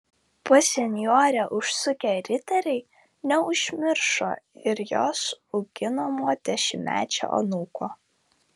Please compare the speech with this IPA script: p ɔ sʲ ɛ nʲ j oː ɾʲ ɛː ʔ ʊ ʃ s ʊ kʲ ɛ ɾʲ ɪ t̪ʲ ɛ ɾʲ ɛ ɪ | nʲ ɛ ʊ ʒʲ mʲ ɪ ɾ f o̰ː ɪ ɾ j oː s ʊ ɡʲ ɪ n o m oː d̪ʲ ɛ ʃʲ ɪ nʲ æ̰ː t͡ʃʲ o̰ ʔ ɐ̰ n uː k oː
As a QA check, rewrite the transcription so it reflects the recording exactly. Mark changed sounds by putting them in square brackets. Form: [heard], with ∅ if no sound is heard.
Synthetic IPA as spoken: p ɔ sʲ ɛ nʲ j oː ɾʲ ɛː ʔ ʊ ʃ s ʊ kʲ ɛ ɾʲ ɪ t̪ʲ ɛ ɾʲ ɛ ɪ | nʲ ɛ ʊ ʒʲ mʲ ɪ ɾ [ʃ] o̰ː ɪ ɾ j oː s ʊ ɡʲ ɪ n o m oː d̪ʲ ɛ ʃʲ ɪ [mʲ] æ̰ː t͡ʃʲ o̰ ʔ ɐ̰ n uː k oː